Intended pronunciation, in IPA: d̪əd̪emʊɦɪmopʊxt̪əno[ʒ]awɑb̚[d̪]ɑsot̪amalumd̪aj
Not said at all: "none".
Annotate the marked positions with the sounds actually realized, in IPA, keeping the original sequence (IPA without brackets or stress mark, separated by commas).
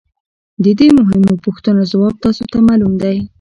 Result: z, t̪